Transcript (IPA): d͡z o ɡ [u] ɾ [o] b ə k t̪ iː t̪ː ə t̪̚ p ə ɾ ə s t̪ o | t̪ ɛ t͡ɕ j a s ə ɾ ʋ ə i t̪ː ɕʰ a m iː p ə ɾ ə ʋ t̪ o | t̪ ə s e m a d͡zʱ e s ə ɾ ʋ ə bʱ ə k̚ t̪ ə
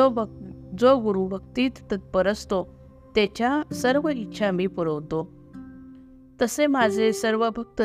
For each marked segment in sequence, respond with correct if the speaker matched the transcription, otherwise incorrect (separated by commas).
correct, incorrect